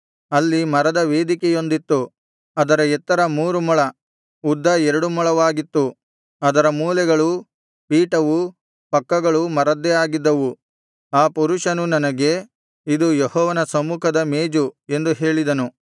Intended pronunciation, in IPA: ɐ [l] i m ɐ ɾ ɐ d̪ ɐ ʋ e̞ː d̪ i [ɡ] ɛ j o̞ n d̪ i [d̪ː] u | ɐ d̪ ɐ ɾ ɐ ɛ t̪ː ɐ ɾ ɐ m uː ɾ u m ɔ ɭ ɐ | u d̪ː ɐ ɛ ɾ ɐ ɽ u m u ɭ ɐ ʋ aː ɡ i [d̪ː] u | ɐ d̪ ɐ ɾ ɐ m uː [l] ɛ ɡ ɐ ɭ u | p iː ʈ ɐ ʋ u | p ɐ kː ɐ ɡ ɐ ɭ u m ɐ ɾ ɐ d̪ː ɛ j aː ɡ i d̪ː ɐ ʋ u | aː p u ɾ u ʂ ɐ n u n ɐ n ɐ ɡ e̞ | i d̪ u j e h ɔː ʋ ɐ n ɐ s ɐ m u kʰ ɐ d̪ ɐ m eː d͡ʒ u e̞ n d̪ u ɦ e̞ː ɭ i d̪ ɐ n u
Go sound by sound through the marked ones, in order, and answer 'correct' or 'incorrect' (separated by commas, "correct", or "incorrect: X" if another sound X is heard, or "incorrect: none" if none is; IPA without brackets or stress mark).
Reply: incorrect: lː, incorrect: k, incorrect: t̪ː, incorrect: t̪ː, correct